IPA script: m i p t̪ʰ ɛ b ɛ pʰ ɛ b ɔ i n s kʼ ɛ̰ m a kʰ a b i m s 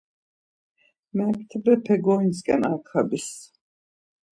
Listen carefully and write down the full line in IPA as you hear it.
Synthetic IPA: m ɛ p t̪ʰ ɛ b ɛ pʰ ɛ ɡ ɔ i n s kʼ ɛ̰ n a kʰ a b i s